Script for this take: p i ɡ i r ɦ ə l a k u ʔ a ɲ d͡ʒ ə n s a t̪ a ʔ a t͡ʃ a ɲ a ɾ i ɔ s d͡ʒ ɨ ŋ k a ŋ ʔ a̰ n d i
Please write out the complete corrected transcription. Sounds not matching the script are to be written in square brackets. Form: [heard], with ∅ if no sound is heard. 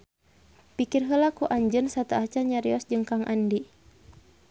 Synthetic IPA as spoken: p i [k] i r ɦ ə l a k u ʔ a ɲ d͡ʒ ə n s a t̪ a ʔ a t͡ʃ a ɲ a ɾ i ɔ s d͡ʒ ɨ ŋ k a ŋ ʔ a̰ n d i